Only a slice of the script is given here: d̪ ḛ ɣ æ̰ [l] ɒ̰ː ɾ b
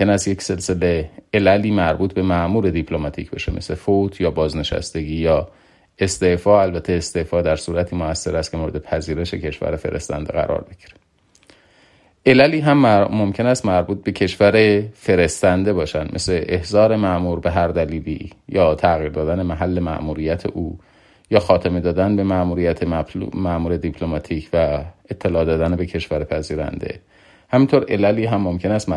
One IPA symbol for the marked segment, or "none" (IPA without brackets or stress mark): ɾ